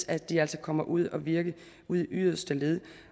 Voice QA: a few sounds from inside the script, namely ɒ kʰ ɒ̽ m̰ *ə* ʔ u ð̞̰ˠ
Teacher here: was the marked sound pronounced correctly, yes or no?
no